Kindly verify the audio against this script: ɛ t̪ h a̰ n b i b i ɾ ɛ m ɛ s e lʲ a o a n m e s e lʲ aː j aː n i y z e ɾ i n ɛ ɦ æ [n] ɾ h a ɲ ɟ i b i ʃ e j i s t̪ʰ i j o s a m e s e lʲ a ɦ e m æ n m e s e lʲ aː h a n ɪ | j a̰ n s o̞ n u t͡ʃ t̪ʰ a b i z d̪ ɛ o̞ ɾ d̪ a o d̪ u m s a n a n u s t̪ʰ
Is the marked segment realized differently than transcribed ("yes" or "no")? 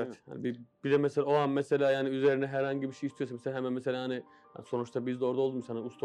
yes